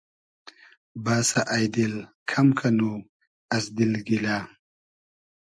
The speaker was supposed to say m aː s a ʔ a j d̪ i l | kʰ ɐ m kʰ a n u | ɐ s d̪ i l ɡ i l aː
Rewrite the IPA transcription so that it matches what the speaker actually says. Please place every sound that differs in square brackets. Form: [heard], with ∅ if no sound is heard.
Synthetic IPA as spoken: [b] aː s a ʔ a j d̪ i l | kʰ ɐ m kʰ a n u | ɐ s d̪ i l ɡ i l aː